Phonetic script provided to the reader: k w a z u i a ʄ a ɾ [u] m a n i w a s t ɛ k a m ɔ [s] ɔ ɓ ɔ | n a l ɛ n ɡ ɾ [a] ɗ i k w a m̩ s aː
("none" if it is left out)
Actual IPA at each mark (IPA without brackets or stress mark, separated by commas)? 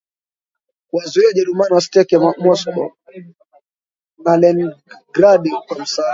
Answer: u, s, a